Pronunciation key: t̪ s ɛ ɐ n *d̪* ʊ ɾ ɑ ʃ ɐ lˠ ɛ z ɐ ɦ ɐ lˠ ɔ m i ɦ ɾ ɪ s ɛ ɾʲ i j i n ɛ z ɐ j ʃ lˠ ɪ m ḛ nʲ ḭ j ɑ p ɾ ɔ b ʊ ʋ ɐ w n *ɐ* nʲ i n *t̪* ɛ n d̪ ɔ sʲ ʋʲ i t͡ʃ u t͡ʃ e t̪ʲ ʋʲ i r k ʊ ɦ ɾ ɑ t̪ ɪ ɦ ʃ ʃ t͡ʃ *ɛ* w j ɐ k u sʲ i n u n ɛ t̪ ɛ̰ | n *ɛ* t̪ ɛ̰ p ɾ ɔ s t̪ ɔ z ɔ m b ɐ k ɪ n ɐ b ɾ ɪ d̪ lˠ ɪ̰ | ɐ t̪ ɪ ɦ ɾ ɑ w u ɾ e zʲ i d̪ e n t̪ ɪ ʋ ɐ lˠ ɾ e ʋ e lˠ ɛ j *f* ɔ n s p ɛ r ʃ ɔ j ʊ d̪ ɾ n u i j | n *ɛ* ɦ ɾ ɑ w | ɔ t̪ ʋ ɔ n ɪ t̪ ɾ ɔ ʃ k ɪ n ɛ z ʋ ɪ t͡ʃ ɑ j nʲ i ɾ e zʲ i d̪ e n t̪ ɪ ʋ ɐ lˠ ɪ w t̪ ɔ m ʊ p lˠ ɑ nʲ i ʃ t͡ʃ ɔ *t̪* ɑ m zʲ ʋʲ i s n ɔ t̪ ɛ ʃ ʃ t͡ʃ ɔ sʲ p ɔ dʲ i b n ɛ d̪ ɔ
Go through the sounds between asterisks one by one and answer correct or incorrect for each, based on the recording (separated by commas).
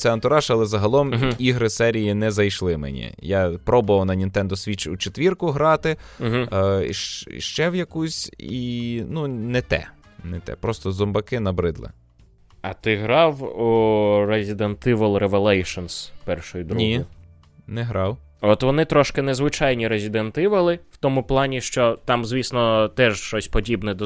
incorrect, correct, correct, correct, correct, incorrect, correct, correct